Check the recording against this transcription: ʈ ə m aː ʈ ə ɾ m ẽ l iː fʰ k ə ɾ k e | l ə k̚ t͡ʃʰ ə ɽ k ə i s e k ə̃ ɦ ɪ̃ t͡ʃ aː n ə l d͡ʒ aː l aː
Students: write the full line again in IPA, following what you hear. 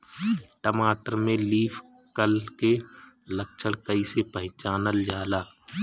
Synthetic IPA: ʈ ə m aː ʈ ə ɾ m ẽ l iː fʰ k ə l k e | l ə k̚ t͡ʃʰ ə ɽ k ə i s e p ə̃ ɦ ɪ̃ t͡ʃ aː n ə l d͡ʒ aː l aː